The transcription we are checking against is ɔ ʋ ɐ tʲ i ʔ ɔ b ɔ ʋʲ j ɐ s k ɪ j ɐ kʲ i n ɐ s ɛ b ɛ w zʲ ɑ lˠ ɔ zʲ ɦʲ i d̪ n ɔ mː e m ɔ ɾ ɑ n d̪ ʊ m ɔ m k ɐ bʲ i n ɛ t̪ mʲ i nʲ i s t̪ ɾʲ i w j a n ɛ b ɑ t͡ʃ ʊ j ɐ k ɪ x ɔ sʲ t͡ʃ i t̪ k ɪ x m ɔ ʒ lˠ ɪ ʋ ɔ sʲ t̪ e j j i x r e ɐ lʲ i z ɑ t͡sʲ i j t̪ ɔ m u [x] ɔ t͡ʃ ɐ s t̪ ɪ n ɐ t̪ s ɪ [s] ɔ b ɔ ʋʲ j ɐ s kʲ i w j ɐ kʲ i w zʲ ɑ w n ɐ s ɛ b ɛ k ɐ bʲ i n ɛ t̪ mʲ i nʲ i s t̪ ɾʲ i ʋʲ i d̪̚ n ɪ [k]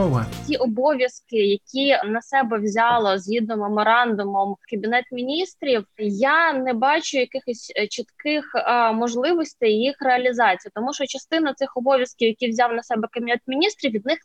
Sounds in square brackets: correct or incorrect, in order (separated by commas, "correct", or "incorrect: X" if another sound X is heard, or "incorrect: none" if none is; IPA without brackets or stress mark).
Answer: incorrect: ʃ, incorrect: x, incorrect: x